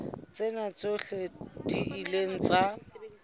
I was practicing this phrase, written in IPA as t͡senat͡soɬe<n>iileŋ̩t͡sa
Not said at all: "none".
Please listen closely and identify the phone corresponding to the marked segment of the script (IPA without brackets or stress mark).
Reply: d